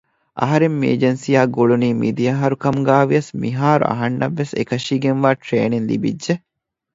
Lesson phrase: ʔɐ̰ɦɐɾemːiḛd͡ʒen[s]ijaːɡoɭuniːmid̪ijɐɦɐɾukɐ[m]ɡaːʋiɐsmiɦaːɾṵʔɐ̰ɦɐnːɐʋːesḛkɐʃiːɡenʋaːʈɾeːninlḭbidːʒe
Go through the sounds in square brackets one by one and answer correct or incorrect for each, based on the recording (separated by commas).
correct, correct